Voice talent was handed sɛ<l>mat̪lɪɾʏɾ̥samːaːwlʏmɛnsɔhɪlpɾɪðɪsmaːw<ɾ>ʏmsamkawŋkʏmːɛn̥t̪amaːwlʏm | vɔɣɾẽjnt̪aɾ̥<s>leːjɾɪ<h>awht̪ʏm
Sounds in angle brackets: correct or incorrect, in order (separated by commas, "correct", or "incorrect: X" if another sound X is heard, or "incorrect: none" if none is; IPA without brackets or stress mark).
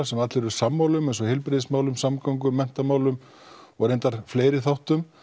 incorrect: none, incorrect: l, incorrect: f, incorrect: θ